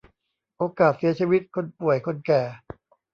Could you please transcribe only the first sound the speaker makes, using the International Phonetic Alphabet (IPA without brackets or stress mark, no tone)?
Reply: ʔ